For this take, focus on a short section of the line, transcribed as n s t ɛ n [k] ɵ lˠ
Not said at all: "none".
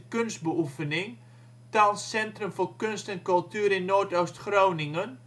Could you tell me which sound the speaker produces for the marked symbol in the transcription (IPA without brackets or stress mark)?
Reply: k